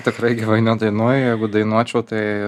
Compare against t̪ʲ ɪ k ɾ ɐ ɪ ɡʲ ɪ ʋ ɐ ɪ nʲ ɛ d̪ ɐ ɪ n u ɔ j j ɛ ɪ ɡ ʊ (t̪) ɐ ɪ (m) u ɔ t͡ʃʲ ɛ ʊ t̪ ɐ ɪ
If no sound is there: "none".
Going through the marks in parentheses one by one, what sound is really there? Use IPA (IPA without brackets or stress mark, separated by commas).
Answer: d̪, n